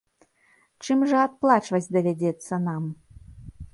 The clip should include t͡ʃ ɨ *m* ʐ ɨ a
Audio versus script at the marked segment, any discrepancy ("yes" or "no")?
no